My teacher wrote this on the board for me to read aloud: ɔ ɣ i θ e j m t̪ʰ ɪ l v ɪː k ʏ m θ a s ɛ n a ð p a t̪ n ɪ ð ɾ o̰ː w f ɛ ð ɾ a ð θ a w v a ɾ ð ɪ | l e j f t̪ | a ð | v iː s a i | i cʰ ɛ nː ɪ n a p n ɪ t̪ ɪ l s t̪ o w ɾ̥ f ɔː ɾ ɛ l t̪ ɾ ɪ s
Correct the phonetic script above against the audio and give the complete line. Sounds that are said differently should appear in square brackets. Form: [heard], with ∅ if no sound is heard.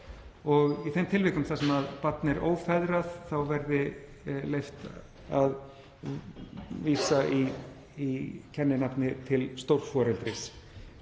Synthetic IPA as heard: ɔ ɣ i θ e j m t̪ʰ ɪ l v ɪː k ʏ m θ a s ɛ [m] a ð p a t̪ n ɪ [∅] ɾ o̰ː w f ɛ ð ɾ a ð θ a w v [ɛ] ɾ ð ɪ | l e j f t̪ | a ð | v iː s a i | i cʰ ɛ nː ɪ n a p n ɪ [t̪ʰ] ɪ l s t̪ o w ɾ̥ f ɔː ɾ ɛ l t̪ ɾ ɪ s